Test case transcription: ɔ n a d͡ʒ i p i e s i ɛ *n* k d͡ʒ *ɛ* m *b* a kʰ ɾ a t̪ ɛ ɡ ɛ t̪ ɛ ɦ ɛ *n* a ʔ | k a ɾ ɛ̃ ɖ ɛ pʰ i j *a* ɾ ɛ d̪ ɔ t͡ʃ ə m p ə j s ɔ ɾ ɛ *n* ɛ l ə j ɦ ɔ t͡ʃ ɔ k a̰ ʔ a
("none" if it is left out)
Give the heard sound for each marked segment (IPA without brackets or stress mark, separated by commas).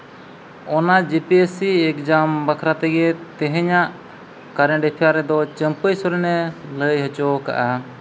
none, a, b, ɲ, a, n